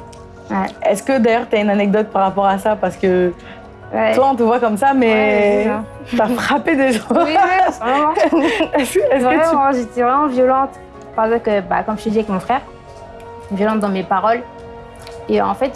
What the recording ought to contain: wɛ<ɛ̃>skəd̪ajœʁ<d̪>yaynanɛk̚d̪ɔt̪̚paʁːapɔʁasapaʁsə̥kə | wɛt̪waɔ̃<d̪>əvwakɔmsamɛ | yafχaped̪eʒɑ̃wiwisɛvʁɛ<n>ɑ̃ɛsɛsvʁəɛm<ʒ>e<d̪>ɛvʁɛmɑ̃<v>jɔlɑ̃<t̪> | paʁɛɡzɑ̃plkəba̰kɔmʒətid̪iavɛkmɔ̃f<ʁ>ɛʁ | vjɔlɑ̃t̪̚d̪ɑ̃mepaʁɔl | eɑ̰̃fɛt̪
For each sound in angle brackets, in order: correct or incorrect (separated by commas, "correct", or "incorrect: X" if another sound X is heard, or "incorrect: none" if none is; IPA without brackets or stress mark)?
incorrect: ɛ, incorrect: t̪, incorrect: t̪, incorrect: m, correct, incorrect: t̪, correct, correct, incorrect: χ